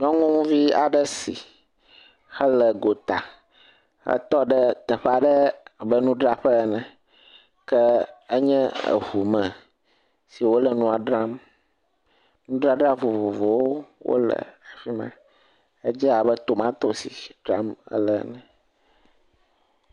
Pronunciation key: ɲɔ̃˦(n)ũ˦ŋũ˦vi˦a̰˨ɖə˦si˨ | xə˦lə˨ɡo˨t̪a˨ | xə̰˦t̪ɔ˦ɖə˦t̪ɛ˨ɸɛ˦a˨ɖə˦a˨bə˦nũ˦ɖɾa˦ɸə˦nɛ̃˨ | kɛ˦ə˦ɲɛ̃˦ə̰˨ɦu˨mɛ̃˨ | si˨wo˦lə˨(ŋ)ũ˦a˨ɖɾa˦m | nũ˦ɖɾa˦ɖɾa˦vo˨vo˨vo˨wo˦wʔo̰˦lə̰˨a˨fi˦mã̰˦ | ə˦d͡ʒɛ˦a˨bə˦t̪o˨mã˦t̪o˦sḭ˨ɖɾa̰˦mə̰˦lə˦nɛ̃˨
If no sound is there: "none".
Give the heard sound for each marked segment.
ŋ, n

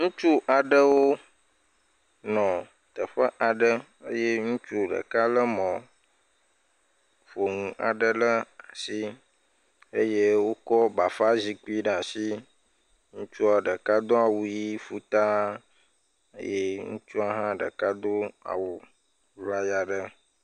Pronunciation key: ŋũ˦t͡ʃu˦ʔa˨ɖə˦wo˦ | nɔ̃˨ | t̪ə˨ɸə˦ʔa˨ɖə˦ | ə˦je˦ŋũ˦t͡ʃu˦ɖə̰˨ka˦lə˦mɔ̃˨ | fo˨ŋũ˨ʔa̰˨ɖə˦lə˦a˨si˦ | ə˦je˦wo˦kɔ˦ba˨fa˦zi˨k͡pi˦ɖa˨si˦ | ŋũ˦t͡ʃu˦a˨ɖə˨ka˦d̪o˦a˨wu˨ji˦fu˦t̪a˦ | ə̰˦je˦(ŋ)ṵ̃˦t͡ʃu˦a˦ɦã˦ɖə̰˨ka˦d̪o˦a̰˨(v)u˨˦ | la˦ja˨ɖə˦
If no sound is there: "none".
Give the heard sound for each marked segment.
ŋ, w

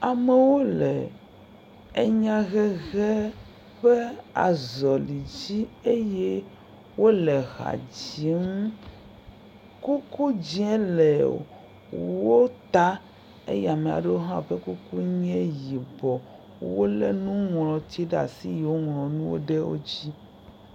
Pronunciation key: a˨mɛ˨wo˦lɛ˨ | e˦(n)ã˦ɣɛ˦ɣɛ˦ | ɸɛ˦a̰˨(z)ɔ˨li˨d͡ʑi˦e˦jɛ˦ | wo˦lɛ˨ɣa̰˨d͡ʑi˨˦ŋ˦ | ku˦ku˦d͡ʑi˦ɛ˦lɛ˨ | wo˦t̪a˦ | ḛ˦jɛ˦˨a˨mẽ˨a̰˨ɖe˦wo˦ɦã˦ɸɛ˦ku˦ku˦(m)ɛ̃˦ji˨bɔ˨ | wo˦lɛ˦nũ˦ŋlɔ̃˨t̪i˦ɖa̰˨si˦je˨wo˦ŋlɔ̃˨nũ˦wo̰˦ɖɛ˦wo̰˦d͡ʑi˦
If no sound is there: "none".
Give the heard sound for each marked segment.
ɲ, z, ɲ

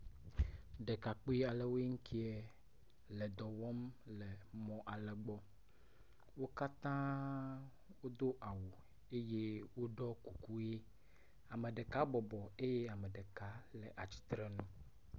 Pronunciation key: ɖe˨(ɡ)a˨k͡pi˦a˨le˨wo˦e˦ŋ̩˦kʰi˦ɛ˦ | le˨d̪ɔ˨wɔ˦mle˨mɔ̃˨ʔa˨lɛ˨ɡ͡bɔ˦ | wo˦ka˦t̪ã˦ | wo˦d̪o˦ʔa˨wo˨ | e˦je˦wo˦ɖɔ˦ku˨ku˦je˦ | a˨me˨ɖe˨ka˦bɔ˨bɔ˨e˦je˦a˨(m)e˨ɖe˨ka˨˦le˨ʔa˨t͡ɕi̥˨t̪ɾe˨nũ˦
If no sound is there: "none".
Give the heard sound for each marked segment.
k, m

